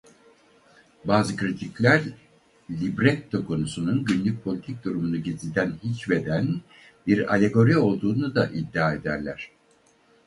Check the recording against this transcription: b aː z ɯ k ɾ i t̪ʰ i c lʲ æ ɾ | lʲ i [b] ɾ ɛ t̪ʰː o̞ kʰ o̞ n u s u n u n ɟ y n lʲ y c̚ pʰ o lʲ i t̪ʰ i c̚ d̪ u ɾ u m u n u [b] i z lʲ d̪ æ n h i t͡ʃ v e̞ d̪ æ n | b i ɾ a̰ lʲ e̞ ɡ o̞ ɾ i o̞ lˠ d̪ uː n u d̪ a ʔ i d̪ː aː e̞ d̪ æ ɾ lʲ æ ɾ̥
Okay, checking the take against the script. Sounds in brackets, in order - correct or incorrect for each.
correct, incorrect

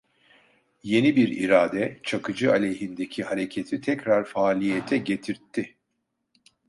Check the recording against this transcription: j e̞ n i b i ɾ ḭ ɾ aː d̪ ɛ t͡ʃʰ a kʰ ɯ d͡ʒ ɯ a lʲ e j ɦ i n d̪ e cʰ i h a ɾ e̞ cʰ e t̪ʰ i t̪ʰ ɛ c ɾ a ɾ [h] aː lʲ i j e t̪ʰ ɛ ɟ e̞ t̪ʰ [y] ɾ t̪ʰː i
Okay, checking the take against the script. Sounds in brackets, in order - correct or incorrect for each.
incorrect, incorrect

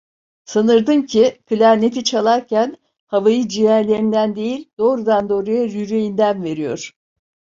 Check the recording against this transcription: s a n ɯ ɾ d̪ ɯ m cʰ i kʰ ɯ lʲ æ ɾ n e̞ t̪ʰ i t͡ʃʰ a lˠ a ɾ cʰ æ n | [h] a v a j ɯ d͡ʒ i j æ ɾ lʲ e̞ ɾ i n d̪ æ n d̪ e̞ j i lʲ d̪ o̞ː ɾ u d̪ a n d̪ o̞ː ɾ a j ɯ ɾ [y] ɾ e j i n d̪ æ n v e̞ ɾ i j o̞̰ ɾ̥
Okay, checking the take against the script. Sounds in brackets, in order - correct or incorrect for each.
correct, correct

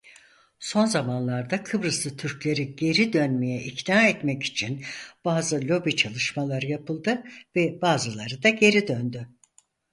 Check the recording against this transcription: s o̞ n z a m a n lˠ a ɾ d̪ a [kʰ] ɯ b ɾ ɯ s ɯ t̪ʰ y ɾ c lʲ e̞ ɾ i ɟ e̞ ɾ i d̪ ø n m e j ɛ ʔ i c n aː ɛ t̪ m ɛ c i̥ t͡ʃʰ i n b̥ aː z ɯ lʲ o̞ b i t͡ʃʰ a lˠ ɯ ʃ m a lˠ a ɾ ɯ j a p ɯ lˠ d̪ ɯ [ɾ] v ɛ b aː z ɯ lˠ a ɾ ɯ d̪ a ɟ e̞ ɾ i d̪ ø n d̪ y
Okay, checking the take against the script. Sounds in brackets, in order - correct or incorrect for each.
correct, incorrect

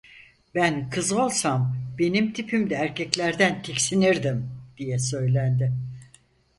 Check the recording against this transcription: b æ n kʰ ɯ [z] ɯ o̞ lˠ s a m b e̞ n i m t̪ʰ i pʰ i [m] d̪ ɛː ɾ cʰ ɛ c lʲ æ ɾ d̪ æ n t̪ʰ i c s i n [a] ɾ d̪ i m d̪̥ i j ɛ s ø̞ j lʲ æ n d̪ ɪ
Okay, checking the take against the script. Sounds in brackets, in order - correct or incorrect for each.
correct, correct, incorrect

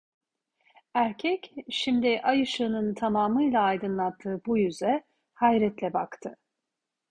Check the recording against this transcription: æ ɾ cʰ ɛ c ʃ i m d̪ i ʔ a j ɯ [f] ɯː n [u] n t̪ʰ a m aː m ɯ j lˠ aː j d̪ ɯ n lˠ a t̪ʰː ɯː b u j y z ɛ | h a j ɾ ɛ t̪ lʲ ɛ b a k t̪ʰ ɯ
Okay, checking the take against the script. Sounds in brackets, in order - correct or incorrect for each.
incorrect, incorrect

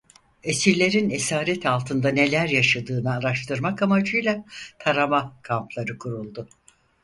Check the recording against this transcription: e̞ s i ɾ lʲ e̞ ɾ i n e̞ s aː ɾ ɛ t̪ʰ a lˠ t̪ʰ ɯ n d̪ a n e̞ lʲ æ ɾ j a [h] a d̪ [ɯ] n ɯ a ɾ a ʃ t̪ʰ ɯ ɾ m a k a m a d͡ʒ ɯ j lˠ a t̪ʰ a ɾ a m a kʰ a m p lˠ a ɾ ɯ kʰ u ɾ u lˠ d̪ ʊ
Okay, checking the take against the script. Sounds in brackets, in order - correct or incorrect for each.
incorrect, incorrect

